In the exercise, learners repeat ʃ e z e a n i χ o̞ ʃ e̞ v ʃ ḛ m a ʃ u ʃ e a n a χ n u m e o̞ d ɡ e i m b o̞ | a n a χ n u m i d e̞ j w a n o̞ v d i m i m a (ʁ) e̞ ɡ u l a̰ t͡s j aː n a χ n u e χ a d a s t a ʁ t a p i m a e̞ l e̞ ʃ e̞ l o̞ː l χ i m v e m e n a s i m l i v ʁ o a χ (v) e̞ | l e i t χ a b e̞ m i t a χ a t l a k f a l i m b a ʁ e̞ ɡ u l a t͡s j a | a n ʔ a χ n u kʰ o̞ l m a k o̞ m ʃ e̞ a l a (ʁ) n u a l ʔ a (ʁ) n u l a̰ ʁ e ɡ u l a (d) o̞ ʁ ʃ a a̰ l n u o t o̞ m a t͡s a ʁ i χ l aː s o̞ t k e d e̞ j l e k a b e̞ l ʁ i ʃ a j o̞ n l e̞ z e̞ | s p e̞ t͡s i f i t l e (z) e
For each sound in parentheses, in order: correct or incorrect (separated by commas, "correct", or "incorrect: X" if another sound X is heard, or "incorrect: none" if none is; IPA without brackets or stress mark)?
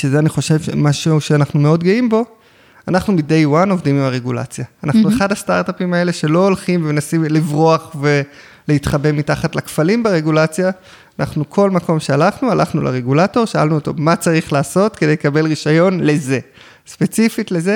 correct, correct, incorrect: χ, incorrect: χ, incorrect: t, correct